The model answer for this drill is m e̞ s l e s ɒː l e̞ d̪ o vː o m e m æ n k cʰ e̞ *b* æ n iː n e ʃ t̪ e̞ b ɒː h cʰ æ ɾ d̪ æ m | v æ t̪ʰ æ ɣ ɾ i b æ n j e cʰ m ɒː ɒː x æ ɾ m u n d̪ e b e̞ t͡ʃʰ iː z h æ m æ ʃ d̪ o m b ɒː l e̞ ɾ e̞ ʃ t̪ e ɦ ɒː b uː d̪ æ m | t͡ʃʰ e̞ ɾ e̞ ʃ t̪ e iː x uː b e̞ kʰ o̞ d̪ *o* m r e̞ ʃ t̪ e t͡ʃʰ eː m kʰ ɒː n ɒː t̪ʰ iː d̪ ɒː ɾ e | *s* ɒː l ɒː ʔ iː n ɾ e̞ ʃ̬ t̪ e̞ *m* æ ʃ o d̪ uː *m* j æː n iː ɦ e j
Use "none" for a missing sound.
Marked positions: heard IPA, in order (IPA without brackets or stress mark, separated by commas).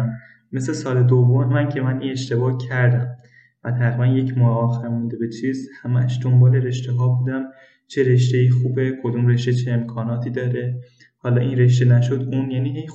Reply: m, u, h, n, n